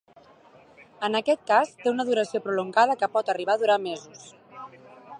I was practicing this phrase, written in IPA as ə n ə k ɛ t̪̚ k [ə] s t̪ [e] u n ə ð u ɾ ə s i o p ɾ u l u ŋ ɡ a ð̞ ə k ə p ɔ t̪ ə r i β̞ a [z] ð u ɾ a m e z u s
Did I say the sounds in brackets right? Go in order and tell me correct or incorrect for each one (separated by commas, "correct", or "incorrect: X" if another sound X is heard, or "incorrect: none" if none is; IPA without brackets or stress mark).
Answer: incorrect: a, correct, incorrect: none